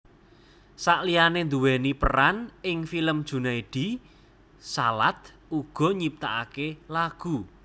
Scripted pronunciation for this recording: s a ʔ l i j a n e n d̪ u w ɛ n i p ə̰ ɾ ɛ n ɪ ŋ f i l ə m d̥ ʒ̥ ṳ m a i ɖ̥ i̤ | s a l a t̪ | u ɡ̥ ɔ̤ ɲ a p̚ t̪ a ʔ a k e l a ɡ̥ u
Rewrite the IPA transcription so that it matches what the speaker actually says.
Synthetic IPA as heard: s a ʔ l i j a n e n d̪ u w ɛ n i p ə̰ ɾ a n ɪ ŋ f i l ə m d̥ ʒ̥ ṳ n a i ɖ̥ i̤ | s a l a t̪ | u ɡ̥ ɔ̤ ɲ i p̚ t̪ a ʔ a k e l a ɡ̥ u